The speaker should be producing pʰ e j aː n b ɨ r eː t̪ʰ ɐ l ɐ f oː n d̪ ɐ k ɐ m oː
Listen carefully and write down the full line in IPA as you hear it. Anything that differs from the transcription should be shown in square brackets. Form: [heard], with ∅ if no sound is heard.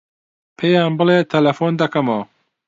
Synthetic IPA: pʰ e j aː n b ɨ [l] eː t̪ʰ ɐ l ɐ f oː n d̪ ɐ k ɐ m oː